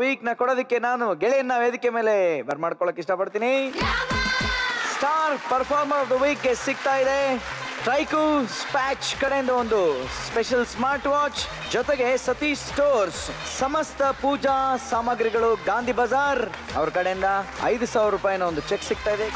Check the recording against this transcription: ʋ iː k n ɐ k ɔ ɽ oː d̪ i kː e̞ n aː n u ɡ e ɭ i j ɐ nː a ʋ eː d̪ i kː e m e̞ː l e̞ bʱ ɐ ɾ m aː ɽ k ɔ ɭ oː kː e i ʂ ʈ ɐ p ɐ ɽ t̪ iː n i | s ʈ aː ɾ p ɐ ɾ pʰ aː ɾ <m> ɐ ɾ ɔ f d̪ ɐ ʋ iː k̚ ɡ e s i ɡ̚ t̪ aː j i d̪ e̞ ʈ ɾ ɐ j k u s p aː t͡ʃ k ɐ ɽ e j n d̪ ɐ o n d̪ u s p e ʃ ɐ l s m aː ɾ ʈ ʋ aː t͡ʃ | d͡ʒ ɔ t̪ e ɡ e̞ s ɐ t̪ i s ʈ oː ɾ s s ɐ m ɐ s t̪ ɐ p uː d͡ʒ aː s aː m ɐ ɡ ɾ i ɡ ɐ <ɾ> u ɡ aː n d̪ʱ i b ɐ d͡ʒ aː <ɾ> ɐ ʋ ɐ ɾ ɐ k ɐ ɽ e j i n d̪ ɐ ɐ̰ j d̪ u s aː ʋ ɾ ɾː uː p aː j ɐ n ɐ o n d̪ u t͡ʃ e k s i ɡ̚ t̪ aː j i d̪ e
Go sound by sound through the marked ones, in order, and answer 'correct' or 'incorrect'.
correct, incorrect: ɭ, correct

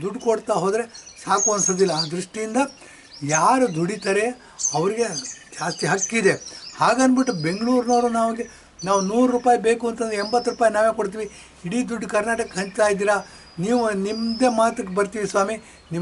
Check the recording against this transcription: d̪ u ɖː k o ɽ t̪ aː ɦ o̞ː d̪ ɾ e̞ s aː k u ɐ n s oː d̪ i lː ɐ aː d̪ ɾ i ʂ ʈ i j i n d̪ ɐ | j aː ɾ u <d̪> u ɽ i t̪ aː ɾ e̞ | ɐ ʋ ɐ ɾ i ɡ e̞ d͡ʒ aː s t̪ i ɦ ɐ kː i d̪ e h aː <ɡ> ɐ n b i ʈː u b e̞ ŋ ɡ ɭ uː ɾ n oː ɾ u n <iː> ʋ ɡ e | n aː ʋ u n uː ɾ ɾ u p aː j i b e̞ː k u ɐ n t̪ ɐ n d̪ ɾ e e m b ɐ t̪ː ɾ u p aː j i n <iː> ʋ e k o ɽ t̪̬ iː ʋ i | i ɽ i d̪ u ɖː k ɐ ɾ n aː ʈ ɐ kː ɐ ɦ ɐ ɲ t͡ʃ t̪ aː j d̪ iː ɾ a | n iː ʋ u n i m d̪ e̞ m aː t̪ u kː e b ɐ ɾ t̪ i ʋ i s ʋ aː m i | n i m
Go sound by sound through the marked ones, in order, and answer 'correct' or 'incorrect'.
correct, correct, incorrect: aː, incorrect: aː

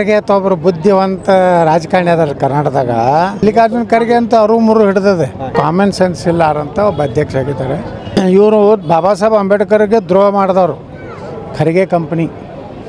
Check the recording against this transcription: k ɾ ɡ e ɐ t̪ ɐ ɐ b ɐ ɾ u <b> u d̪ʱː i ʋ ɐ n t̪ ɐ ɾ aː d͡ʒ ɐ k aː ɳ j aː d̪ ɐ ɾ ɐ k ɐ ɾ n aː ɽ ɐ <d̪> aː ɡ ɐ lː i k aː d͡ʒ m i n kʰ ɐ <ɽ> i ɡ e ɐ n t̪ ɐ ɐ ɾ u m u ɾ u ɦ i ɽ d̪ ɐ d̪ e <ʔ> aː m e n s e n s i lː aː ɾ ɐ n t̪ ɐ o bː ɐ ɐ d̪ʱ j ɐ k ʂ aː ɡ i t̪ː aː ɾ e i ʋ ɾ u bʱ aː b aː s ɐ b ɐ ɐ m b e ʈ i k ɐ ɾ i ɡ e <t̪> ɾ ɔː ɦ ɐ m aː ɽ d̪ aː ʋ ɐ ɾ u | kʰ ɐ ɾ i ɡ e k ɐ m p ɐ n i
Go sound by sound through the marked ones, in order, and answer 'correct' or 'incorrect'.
correct, correct, incorrect: ɾ, incorrect: k, incorrect: d̪

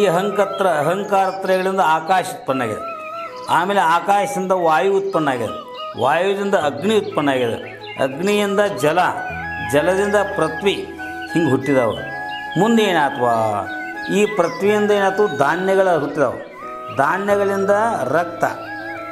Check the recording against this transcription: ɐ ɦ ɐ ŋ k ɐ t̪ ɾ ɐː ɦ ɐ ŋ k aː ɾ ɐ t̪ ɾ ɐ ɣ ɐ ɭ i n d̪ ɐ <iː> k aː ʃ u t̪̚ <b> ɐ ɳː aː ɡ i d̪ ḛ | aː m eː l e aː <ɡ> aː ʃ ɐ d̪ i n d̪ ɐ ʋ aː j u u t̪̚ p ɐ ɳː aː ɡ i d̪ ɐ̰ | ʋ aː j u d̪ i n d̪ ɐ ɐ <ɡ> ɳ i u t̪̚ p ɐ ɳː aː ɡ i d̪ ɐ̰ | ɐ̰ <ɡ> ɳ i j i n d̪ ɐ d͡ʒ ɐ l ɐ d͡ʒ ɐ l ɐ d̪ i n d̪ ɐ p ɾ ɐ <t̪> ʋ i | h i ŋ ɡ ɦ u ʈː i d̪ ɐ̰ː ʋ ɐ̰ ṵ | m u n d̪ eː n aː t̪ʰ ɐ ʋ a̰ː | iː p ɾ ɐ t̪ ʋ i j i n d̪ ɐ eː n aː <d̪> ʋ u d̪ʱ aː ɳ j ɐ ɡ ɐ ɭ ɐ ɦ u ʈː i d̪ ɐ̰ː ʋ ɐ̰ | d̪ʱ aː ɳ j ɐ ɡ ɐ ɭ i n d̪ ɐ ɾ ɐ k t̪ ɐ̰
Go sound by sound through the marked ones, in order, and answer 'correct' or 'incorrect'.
incorrect: aː, incorrect: p, incorrect: k, correct, correct, correct, incorrect: t̪

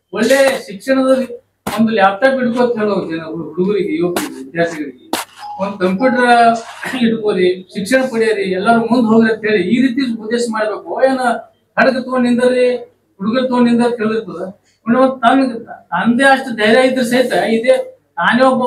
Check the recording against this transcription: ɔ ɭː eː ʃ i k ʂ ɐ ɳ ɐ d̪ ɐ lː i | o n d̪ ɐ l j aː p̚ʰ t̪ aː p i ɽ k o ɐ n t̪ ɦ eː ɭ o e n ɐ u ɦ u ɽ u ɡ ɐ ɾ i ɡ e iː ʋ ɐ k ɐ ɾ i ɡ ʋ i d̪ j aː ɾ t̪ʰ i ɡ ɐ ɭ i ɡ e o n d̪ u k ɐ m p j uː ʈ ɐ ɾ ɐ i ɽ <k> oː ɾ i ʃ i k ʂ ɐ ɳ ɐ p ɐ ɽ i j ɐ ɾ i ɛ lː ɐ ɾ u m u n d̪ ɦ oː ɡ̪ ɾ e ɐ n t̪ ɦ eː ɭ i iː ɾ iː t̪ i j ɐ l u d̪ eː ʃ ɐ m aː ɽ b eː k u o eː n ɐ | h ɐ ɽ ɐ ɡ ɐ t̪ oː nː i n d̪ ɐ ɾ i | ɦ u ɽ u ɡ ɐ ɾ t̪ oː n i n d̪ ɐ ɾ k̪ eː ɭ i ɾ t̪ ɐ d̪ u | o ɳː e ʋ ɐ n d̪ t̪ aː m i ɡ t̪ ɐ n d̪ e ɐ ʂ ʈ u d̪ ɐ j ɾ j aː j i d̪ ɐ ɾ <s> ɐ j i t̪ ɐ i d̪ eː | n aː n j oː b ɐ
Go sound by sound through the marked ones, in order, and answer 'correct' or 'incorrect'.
correct, correct

